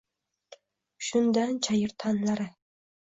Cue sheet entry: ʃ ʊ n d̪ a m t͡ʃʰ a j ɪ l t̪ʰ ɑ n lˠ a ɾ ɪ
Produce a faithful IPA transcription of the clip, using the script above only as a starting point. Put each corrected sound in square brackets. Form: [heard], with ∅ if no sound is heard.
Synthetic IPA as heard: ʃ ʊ n d̪ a [n] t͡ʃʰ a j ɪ [ɾ] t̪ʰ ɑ n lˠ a ɾ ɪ